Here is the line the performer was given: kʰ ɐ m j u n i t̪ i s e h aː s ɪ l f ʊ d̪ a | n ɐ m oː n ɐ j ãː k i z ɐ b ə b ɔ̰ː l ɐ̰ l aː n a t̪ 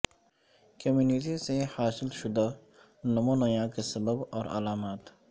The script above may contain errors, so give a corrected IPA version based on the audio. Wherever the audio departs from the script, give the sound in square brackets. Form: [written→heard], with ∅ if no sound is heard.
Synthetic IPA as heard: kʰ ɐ m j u n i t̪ i s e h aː s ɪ l [f→ʃ] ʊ d̪ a | n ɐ m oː n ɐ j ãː k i [z→s] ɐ b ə b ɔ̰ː [l→ɾ] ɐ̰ l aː [n→m] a t̪